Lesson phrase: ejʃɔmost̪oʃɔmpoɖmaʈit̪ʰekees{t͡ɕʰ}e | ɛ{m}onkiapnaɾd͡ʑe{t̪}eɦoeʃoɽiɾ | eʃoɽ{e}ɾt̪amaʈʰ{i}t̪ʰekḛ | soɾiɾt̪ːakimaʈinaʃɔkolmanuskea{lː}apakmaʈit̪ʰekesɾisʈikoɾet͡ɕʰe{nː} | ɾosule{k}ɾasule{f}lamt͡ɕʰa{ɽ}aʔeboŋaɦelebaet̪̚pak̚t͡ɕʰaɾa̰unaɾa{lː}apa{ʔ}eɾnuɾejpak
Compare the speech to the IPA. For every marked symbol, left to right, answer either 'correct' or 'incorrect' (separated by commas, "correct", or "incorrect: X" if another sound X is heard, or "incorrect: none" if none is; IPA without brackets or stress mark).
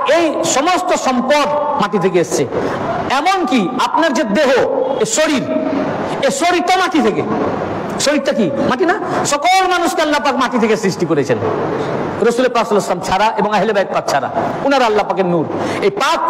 correct, correct, incorrect: d̪, incorrect: i, correct, correct, incorrect: n, incorrect: p, incorrect: s, incorrect: ɾ, correct, incorrect: k